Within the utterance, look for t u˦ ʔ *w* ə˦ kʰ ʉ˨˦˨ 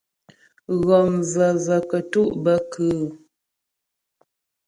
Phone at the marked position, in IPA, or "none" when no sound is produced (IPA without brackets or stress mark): b